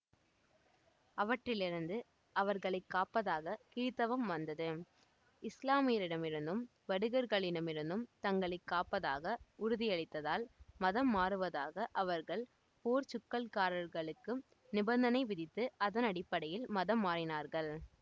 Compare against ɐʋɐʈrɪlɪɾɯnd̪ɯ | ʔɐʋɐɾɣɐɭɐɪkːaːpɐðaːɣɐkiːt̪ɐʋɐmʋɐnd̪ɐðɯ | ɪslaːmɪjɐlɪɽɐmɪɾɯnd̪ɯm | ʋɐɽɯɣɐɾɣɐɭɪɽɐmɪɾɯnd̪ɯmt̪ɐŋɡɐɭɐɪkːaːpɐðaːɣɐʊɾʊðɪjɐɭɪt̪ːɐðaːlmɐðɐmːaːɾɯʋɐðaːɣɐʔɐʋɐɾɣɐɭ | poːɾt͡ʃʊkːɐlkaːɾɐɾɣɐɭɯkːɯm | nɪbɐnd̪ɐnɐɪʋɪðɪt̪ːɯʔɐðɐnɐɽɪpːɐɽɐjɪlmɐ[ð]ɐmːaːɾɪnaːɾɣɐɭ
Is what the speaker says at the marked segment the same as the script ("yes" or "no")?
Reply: yes